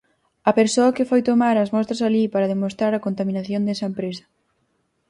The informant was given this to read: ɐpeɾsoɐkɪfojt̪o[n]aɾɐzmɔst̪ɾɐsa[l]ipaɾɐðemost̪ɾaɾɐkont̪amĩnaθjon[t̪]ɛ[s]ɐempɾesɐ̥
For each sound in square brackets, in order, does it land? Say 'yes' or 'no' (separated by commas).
no, yes, no, yes